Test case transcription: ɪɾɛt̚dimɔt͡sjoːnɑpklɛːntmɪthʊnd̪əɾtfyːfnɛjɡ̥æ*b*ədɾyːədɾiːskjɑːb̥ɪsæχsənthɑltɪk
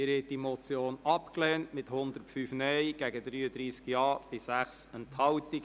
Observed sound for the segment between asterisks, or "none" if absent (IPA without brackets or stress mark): ɡ